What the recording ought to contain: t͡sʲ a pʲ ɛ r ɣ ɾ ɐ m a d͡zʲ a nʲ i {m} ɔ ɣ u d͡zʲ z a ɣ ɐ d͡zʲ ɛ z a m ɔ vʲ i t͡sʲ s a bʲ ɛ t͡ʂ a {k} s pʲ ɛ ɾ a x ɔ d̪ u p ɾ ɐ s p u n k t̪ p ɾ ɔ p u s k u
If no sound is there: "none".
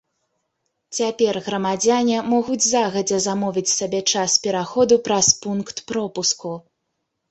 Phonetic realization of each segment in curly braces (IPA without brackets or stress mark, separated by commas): m, none